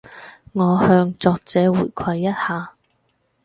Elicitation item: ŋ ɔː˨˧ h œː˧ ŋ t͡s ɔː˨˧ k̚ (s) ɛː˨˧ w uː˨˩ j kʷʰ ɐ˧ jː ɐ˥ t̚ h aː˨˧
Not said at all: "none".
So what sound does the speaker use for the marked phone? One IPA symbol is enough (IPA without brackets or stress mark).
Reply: t͡s